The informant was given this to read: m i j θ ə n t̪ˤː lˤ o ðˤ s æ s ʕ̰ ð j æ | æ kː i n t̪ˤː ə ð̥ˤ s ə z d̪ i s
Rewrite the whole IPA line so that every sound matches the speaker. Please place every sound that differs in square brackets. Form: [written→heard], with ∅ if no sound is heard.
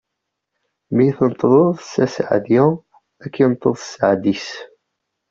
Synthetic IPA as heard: m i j θ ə n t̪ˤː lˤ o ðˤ s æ s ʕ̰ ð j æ | æ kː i n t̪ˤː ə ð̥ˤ s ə [z→ʕ] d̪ i s